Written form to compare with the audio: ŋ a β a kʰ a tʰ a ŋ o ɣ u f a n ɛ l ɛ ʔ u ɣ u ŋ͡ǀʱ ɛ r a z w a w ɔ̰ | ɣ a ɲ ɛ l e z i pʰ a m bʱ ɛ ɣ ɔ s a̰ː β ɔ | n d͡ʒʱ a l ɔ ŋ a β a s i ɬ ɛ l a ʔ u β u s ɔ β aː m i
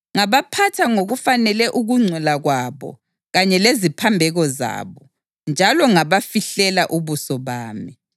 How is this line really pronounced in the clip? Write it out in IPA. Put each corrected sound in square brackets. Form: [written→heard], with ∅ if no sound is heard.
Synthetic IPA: ŋ a β a [kʰ→pʰ] a tʰ a ŋ o ɣ u f a n ɛ l ɛ ʔ u ɣ u ŋ͡ǀʱ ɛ [r→l] a [z→ɣ] w a [w→β] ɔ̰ | ɣ a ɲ ɛ l e z i pʰ a m bʱ ɛ ɣ ɔ [s→z] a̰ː β ɔ | n d͡ʒʱ a l ɔ ŋ a β a [s→f] i ɬ ɛ l a ʔ u β u s ɔ β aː m i